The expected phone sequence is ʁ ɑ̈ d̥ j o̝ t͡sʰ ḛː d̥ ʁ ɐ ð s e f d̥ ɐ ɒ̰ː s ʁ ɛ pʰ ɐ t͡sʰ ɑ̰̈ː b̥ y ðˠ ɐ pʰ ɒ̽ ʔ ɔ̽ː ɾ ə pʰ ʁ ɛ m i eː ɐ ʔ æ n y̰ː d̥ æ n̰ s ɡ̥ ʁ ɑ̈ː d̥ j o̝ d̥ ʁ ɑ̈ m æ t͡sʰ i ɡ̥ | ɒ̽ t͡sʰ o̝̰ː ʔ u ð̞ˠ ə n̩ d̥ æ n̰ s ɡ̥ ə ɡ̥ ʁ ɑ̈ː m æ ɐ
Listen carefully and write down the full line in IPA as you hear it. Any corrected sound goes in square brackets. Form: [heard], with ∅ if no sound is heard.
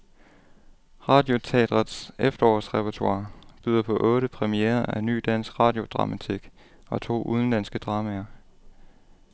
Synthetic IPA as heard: ʁ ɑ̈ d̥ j o̝ t͡sʰ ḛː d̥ ʁ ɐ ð s e f d̥ ɐ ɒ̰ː s ʁ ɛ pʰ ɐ t͡sʰ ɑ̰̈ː b̥ y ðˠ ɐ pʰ ɒ̽ ʔ ɔ̽ː ɾ ə pʰ ʁ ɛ m i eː ɐ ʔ æ n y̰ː d̥ æ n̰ s ɡ̥ ʁ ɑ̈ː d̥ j o̝ d̥ ʁ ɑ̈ m æ t͡sʰ i ɡ̥ | ɒ̽ t͡sʰ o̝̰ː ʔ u ð̞ˠ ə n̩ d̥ æ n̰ s ɡ̥ ə [d̥] ʁ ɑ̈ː m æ ɐ